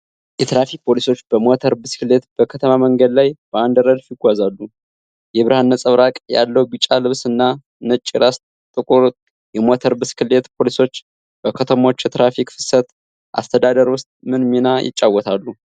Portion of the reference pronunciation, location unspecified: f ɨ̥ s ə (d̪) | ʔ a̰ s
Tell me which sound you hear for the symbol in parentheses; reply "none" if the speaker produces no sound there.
t̪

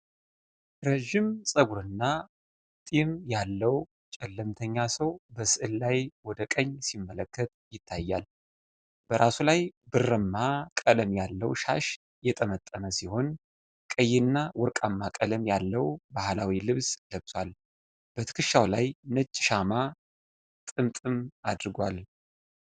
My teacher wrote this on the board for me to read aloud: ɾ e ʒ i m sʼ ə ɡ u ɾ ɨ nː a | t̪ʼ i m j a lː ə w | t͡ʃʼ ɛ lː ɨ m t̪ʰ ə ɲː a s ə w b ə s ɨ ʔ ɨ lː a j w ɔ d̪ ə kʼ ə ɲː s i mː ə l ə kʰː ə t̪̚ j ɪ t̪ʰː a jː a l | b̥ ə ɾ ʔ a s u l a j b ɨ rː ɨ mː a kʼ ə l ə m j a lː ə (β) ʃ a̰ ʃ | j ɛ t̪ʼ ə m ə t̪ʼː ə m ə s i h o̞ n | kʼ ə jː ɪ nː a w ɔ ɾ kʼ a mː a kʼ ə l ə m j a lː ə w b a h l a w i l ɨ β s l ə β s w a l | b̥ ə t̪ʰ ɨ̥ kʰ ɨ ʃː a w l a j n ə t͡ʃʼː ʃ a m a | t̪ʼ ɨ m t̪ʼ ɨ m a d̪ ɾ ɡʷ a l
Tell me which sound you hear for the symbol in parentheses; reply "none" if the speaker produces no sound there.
w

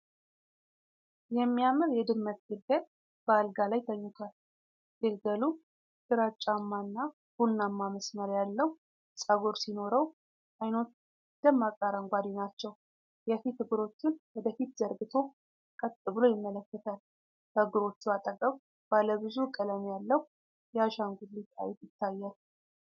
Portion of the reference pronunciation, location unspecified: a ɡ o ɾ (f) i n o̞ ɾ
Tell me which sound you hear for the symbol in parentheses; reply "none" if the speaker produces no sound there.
s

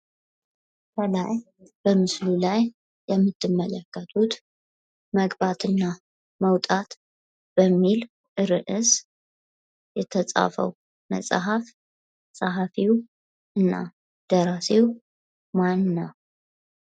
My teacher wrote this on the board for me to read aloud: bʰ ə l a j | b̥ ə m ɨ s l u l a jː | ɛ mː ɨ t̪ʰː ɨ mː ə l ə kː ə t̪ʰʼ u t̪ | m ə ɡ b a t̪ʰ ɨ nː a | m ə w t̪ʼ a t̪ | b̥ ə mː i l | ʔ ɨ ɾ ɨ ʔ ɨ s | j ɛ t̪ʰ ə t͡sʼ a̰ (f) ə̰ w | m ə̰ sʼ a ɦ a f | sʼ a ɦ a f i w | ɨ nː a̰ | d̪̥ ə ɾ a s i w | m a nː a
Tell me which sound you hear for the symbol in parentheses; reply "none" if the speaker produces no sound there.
f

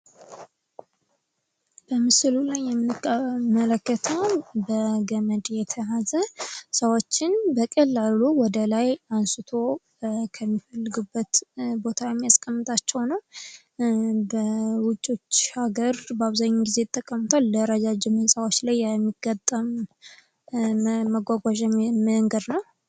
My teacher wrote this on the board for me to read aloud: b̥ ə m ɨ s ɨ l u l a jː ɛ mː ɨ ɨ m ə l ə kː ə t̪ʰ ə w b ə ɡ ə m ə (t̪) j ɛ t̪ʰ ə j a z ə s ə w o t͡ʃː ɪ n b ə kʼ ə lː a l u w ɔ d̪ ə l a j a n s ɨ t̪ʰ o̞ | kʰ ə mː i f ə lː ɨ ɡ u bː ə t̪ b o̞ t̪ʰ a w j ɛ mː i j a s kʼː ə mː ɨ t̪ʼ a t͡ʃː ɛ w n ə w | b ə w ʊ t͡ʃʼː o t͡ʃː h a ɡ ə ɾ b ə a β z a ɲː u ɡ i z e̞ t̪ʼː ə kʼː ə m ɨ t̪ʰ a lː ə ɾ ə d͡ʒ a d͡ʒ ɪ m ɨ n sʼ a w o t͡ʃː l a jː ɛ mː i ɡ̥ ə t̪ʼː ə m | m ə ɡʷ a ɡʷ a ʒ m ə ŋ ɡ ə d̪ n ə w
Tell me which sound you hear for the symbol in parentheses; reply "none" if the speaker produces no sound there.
d̪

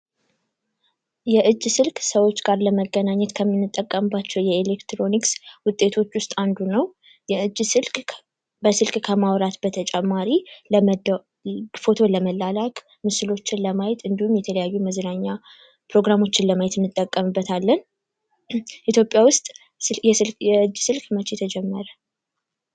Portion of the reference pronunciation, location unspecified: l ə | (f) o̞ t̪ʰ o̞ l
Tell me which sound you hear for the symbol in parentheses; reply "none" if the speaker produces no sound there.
f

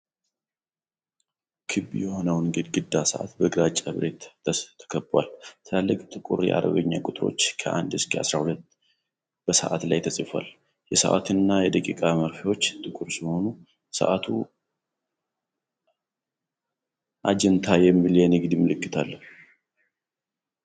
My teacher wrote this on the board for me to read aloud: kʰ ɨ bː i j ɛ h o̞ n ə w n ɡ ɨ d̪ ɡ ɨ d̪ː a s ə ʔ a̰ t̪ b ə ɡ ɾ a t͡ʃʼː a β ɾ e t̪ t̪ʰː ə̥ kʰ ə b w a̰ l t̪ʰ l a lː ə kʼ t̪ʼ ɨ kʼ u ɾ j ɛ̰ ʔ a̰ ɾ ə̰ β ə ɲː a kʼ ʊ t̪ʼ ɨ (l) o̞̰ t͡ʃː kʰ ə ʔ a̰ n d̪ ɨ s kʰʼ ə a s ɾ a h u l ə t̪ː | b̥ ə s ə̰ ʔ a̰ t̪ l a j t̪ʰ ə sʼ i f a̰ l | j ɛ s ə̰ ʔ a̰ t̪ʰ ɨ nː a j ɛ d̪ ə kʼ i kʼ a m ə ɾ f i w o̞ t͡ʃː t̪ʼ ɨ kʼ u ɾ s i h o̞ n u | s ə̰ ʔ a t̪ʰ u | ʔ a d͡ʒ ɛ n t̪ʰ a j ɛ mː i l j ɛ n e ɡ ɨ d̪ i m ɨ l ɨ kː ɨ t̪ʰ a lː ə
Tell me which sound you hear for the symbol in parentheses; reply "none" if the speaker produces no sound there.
ɾ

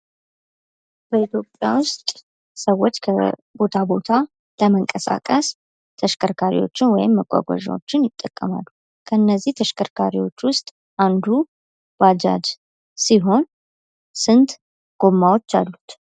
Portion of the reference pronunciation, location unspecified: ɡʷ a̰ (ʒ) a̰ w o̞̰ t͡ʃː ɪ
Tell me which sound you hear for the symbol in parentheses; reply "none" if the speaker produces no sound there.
ʒ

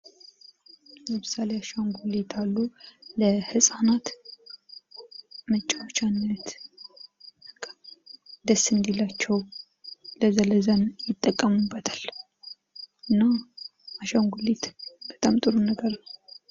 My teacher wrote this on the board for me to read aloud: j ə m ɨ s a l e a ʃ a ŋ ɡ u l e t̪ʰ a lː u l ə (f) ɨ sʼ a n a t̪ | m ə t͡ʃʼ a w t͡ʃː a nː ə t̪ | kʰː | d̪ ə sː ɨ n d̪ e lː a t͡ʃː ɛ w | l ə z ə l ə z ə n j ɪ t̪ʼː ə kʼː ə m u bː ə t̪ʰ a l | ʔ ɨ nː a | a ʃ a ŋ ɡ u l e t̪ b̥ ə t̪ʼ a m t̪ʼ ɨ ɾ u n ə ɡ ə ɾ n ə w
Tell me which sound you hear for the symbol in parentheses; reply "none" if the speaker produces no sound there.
h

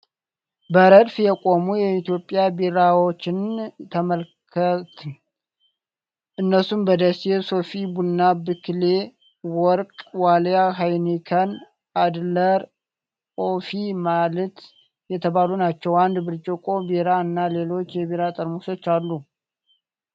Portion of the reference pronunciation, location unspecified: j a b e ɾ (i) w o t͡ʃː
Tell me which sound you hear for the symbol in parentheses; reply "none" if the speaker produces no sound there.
a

